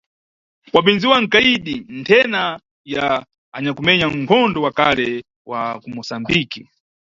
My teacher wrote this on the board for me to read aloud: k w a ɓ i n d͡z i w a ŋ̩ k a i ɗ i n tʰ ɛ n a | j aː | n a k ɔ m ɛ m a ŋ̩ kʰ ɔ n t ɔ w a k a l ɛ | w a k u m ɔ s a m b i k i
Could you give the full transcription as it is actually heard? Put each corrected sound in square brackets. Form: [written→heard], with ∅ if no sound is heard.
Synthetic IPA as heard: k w a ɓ i n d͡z i w a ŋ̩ k a i ɗ i n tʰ ɛ n a | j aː | [n→ɲ] a k [ɔ→u] m ɛ [m→ɲ] a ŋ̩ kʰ ɔ n [t→d] ɔ w a k a l ɛ | w a k u m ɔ s a m b i k i